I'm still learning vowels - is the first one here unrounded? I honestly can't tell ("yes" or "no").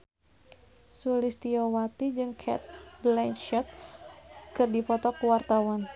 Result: no